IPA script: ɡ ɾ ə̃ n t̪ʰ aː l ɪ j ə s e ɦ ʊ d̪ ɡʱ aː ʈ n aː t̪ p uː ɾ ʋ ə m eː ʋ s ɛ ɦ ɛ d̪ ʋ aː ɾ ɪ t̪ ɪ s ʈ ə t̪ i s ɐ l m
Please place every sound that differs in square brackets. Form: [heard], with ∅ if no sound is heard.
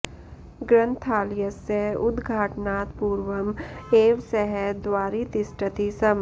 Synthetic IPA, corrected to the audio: ɡ ɾ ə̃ n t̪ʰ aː l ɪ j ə s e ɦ ʊ d̪ ɡʱ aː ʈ n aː t̪ p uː ɾ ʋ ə m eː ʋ s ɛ ɦ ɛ d̪ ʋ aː ɾ [i] t̪ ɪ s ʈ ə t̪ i s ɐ [∅] m